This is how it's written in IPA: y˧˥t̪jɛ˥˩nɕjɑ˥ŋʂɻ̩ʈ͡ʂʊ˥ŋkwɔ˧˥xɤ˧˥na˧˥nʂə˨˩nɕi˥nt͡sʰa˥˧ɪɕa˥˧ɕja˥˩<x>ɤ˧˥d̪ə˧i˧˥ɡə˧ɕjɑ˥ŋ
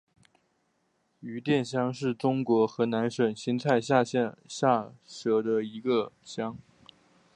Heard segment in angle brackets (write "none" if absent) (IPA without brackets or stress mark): ʂ